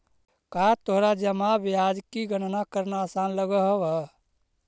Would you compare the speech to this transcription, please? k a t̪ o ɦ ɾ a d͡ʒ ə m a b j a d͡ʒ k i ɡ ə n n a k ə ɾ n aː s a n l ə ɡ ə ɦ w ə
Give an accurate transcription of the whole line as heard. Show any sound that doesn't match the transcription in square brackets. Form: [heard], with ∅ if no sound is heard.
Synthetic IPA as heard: k a t̪ o ɦ ɾ a d͡ʒ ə m a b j a d͡ʒ k i ɡ ə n n a k ə ɾ n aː s a n l ə ɡ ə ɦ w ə